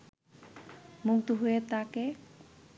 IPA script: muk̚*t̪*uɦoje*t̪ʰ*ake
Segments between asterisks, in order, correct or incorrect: correct, incorrect: t̪

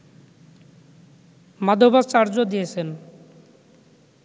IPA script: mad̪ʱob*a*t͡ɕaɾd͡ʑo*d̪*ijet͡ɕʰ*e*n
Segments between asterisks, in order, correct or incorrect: correct, correct, correct

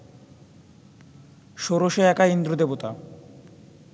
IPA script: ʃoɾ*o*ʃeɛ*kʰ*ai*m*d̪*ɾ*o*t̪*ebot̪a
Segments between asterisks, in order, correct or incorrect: correct, incorrect: k, incorrect: n, correct, incorrect: d̪

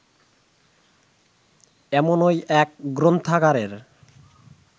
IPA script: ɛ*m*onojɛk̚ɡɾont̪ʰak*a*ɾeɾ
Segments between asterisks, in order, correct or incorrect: correct, correct

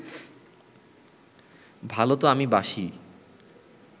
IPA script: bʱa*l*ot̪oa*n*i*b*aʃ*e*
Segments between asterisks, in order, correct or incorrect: correct, incorrect: m, correct, incorrect: i

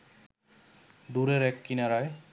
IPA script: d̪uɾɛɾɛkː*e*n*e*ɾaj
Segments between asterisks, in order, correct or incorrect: incorrect: i, incorrect: a

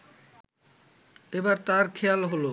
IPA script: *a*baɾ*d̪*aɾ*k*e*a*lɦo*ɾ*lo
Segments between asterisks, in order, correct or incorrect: incorrect: e, incorrect: t̪, incorrect: kʰ, correct, incorrect: none

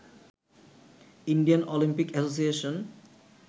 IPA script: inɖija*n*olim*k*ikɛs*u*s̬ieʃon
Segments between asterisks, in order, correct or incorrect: correct, incorrect: p, incorrect: o

